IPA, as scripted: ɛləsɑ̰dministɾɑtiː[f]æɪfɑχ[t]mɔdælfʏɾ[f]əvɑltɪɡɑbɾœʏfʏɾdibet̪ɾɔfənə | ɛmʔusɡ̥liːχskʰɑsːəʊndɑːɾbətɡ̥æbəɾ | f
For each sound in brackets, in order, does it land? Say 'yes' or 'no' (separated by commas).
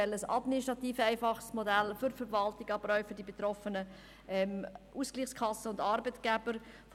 yes, no, yes